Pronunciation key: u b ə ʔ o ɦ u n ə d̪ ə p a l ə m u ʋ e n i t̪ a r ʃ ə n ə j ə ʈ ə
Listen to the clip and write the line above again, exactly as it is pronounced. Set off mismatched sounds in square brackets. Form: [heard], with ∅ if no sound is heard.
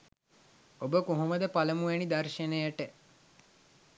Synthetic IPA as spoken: [o] b ə [k] o ɦ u [m] ə d̪ ə p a l ə m u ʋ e n i [d̪] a r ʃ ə n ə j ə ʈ ə